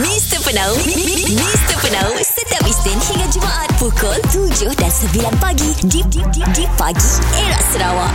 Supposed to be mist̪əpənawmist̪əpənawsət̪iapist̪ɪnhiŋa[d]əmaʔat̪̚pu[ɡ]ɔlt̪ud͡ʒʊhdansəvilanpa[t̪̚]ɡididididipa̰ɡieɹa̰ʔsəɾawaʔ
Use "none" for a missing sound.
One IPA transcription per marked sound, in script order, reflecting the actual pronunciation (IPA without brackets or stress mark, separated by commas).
d͡ʒ, k, none